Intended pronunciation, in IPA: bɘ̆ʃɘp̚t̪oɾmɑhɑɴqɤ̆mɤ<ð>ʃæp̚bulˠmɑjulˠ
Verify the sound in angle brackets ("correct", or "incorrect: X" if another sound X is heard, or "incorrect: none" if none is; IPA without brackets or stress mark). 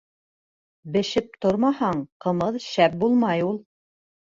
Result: correct